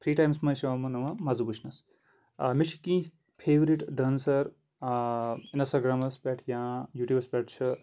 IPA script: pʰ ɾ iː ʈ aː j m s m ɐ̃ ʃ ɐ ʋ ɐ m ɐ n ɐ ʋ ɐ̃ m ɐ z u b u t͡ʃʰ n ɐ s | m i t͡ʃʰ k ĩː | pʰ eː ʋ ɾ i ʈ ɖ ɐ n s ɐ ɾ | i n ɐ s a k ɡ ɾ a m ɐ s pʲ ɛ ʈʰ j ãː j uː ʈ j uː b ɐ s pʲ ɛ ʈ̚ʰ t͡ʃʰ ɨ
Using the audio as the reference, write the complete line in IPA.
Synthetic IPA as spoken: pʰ ɾ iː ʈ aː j m s m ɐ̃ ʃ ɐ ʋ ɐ m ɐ n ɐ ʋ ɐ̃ m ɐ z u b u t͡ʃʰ n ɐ s | m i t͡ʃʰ k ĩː | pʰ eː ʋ ɾ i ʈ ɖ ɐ n s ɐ ɾ | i n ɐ s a ɡ ɾ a m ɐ s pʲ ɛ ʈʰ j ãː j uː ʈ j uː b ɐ s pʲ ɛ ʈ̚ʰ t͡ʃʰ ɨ